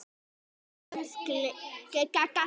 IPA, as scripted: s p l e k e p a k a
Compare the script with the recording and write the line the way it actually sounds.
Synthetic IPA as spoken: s k l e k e k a k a